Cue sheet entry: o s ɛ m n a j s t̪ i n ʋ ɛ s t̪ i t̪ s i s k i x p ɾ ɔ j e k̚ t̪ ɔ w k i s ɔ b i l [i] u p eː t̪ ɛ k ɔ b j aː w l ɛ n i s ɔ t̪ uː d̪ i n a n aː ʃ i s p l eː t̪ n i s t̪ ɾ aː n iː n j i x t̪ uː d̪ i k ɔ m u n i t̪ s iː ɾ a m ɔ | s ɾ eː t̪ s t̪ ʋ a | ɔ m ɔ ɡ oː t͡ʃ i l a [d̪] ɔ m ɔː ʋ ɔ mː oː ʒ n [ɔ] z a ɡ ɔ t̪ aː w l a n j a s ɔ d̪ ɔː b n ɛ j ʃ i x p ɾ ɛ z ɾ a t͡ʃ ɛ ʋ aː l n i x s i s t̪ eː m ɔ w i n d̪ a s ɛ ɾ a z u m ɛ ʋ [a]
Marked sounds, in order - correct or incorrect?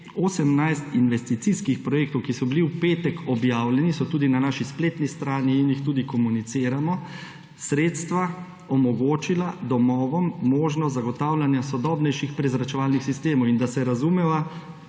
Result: correct, correct, correct, correct

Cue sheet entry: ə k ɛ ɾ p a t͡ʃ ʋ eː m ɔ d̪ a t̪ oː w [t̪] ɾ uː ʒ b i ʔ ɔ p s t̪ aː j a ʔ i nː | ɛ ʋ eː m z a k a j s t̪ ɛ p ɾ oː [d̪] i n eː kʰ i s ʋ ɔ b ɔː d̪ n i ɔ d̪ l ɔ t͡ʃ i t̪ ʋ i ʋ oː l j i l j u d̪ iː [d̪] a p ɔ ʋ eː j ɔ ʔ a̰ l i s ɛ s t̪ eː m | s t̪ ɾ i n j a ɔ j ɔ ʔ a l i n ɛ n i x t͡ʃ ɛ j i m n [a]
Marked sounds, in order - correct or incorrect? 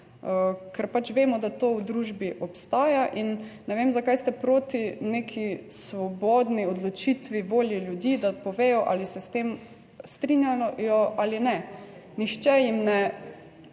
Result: incorrect: d̪, incorrect: t̪, correct, incorrect: ɛ

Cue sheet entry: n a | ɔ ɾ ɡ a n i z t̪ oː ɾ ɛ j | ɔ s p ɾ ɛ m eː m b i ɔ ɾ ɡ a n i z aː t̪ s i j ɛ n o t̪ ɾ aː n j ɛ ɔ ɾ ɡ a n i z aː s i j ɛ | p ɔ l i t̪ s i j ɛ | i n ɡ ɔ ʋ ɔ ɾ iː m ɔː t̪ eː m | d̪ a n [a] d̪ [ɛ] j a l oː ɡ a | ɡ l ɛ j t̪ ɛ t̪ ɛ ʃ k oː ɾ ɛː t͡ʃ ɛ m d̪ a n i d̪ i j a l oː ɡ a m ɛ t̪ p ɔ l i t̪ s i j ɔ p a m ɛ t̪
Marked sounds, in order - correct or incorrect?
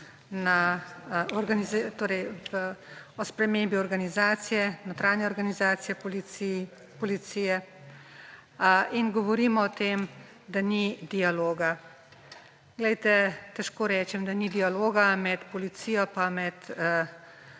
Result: incorrect: i, incorrect: i

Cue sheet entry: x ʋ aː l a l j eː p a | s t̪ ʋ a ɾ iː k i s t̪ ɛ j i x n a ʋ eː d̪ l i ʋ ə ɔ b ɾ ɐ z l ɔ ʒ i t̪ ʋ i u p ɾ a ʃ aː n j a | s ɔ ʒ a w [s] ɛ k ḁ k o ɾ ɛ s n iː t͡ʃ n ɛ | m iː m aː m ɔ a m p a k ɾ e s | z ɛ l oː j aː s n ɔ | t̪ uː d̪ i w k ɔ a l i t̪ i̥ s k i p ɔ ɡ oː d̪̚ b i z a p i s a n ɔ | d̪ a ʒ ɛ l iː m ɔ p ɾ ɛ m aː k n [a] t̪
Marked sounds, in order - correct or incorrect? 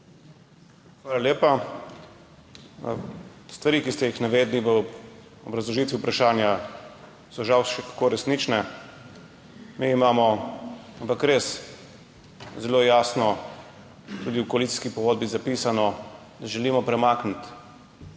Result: incorrect: ʃ, incorrect: i

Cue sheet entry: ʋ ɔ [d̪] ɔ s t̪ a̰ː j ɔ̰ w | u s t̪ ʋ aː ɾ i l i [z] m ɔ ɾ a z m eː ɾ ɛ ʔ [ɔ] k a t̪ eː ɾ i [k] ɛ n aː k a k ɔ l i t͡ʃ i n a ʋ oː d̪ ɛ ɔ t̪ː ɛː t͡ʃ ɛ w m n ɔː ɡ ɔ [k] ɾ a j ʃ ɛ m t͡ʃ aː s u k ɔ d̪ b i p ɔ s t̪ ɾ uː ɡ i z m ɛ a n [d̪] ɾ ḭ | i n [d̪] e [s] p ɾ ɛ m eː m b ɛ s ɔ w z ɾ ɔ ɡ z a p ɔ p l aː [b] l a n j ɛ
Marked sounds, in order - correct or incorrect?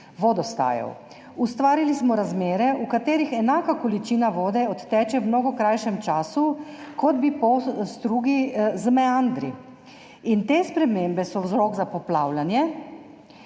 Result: correct, incorrect: s, incorrect: u, incorrect: x, correct, correct, incorrect: t̪, correct, incorrect: w

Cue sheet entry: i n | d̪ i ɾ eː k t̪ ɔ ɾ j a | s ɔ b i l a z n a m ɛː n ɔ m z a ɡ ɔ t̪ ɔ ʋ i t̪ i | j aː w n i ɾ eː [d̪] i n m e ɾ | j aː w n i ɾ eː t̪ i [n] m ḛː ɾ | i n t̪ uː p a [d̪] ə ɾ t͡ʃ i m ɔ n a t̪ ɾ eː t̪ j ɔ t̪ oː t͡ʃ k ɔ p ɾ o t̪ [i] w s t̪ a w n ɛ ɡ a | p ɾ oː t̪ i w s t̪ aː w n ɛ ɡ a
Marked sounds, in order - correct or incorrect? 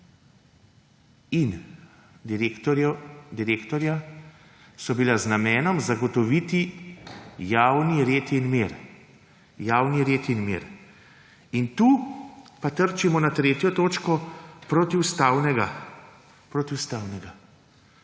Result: incorrect: t̪, correct, incorrect: t̪, correct

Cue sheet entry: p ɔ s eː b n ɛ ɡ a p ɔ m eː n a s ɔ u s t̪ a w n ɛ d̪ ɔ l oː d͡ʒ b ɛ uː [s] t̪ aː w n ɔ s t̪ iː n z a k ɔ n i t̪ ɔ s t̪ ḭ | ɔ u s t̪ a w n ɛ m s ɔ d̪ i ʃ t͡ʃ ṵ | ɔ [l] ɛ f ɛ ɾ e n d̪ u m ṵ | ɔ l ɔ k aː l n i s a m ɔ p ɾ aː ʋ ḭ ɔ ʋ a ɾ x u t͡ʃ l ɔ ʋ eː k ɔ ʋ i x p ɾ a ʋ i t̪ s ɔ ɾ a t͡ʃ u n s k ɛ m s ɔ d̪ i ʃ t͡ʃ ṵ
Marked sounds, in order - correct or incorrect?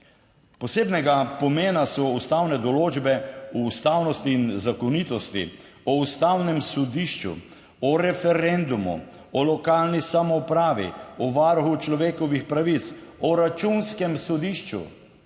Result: correct, incorrect: ɾ

